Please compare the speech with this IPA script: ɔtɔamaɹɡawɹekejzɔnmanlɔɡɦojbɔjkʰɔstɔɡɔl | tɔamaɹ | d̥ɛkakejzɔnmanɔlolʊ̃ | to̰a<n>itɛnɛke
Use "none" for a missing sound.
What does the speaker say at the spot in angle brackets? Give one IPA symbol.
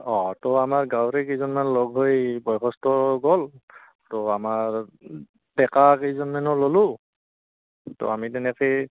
m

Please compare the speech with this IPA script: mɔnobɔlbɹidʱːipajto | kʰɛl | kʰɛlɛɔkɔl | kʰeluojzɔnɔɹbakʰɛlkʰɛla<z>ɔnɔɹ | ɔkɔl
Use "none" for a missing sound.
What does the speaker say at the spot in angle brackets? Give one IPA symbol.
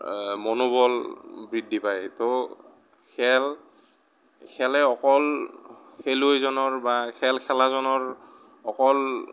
z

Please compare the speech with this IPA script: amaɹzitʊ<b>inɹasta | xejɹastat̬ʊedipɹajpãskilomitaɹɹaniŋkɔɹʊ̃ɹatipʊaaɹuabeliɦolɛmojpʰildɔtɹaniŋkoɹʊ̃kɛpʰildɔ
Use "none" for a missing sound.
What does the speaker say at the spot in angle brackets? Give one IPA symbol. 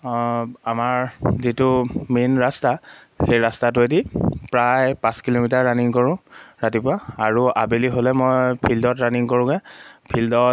m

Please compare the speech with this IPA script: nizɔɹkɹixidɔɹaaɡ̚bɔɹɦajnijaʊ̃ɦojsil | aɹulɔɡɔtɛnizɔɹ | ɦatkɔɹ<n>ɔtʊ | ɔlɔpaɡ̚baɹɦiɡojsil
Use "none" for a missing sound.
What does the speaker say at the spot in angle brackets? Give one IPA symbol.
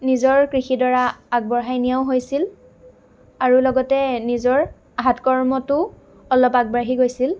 m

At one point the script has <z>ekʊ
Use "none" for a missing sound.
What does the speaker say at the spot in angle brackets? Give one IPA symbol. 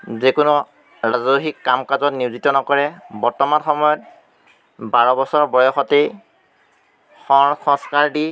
z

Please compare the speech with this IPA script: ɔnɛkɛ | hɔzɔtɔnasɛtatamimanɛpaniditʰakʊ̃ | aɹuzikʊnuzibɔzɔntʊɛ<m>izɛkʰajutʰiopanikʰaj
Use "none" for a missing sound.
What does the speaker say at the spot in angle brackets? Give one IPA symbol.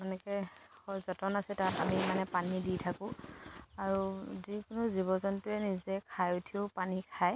n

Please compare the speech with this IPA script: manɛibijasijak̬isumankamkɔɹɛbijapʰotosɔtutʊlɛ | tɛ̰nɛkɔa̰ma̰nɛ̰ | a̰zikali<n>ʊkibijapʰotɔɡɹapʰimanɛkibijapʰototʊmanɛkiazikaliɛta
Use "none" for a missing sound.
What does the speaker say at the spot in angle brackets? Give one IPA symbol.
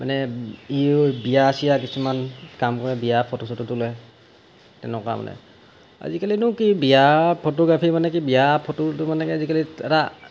n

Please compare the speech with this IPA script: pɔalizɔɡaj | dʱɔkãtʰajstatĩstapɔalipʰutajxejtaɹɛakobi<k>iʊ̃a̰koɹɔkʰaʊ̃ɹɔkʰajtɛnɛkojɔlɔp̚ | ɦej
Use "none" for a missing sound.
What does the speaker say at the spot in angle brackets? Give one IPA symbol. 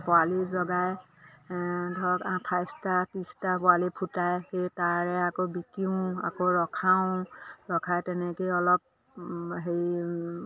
k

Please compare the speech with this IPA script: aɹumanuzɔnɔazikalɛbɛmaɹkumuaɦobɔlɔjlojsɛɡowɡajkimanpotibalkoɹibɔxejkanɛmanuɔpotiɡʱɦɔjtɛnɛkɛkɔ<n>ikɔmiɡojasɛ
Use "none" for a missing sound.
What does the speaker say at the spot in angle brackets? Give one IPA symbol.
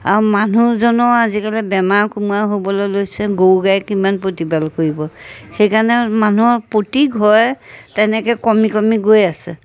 m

